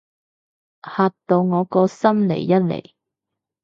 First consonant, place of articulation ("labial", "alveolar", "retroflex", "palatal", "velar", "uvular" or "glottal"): glottal